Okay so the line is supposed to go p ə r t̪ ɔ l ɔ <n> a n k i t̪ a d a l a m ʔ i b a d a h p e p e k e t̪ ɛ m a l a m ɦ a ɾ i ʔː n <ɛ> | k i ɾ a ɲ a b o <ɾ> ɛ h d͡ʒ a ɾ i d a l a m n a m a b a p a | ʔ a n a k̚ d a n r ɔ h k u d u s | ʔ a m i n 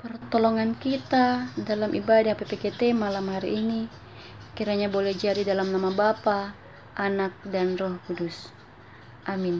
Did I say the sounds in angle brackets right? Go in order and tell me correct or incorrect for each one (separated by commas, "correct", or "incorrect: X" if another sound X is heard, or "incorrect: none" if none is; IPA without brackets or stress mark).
incorrect: ŋ, incorrect: i, incorrect: l